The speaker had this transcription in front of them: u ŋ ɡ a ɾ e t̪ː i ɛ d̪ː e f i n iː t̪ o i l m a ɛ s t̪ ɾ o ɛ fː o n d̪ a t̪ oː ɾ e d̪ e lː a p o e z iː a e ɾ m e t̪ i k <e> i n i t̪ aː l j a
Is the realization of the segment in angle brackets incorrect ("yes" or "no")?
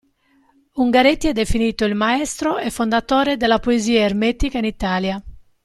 yes